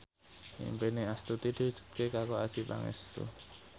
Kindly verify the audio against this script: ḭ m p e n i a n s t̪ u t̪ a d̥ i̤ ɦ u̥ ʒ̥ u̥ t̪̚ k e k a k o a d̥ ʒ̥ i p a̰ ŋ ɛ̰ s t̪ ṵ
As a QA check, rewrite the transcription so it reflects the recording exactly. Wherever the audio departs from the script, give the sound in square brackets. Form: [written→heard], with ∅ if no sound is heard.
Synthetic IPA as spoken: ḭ m p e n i a [n→∅] s t̪ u t̪ [a→i] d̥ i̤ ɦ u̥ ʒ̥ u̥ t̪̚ k e k a k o a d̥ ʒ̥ i p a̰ ŋ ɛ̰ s t̪ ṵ